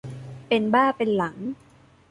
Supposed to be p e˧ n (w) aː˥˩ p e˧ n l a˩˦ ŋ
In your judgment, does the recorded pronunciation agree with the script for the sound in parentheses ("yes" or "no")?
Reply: no